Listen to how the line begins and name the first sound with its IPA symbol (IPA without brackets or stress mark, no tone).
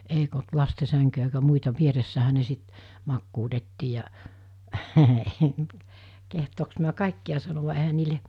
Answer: e